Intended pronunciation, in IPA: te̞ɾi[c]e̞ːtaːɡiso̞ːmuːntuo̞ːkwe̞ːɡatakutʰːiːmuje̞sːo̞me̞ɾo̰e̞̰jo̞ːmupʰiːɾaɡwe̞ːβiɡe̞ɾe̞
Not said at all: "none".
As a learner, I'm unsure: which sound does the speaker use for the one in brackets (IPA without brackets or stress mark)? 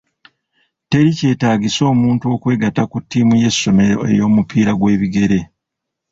c